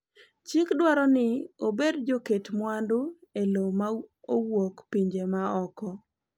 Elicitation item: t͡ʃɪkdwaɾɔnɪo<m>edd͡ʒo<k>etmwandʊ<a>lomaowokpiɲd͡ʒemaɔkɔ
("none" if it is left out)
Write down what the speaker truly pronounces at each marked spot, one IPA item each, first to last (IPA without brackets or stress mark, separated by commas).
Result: b, k, e